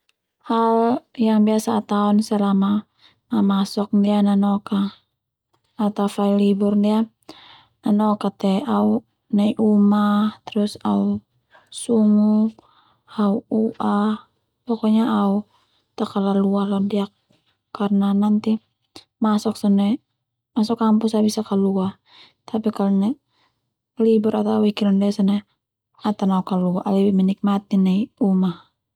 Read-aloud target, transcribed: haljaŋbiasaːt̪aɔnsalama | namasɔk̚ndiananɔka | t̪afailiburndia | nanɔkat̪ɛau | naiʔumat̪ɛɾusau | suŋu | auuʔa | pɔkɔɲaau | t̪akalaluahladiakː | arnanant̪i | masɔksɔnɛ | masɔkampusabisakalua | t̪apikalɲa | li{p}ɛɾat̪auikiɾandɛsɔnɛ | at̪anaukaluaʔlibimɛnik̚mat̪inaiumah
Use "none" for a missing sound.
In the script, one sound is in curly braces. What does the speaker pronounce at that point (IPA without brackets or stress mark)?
b